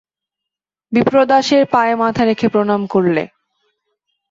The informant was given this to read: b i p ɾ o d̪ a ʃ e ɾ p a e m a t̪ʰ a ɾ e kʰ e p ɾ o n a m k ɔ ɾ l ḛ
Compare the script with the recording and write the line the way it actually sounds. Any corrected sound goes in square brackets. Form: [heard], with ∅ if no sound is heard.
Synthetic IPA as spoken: b i p ɾ o d̪ a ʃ e ɾ p a e m a t̪ʰ a ɾ e kʰ e p ɾ o n a m k [o] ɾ l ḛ